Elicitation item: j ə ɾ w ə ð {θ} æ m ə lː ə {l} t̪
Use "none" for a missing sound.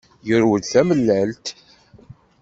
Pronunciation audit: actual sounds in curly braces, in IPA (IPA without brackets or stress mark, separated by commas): θ, l